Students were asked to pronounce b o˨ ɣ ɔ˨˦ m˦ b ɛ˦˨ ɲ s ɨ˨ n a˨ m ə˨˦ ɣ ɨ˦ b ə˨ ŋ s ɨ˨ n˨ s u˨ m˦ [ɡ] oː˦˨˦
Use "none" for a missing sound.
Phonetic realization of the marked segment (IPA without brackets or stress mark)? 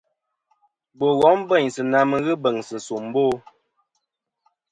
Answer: b